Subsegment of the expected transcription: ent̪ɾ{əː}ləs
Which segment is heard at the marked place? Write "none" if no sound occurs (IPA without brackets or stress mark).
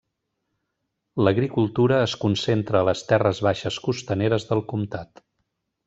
əː